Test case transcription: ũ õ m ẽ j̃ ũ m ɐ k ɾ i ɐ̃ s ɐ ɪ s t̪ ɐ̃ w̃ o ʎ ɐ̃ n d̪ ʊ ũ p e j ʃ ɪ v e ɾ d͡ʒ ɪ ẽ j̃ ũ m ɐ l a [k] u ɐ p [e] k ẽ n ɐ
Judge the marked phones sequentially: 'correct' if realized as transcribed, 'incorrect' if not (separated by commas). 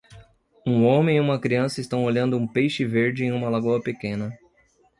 incorrect, correct